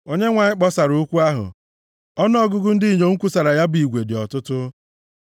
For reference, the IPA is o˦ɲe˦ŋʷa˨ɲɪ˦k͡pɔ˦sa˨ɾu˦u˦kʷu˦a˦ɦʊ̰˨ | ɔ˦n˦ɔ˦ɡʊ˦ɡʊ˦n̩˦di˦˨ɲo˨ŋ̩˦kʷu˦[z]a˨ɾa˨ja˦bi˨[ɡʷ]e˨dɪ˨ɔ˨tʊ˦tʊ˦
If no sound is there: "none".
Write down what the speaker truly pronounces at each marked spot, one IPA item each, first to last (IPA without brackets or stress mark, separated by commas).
s, ɡʷ